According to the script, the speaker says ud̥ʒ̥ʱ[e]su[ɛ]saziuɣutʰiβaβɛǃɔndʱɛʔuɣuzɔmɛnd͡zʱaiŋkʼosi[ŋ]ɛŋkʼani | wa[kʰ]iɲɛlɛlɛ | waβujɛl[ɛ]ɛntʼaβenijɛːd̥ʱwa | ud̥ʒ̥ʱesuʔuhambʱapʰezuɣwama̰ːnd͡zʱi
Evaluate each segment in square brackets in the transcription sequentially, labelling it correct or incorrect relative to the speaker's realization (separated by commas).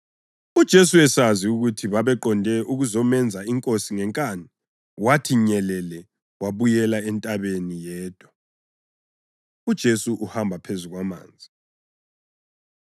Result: correct, correct, correct, incorrect, incorrect